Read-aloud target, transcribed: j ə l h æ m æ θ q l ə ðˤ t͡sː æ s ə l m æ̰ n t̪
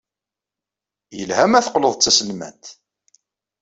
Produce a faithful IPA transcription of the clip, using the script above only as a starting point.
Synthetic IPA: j ə l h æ m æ θ q l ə ðˤ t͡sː æ s ə l m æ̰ n t̪